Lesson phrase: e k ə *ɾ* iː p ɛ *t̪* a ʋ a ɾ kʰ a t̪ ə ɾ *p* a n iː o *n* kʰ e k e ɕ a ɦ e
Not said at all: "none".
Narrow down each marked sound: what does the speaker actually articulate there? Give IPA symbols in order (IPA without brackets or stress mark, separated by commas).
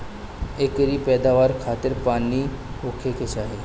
ɾ, d̪, p, none